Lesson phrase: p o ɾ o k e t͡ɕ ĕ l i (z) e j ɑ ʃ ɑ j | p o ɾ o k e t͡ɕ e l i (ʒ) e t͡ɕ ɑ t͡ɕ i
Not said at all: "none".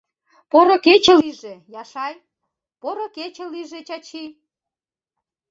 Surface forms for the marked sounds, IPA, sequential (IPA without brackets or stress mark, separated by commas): ʒ, ʒ